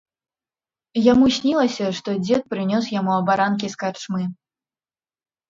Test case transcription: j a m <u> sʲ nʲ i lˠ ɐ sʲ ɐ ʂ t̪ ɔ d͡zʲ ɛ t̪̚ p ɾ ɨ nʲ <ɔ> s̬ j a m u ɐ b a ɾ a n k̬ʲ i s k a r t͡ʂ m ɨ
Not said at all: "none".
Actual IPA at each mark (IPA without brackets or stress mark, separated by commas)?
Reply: u, ɔ